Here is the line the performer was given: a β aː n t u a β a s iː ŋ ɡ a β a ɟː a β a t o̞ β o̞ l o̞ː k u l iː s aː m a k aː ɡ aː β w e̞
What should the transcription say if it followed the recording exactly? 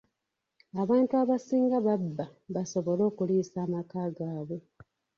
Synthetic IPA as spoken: a β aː n t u a β a s iː ŋ ɡ a β a bː a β a s o̞ β o̞ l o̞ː k u l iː s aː m a k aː ɡ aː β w e̞